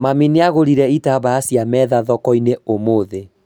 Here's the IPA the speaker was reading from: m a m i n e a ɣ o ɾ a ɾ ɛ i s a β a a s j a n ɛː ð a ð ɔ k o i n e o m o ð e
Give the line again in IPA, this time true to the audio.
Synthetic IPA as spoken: m a m i n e a ɣ o ɾ i ɾ ɛ i t a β a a s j a m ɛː ð a ð ɔ k ɔ i n e o m o ð e